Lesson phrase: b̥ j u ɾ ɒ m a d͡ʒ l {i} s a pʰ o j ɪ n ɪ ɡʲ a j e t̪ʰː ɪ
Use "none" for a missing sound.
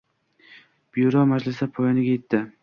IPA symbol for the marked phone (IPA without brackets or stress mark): ɪ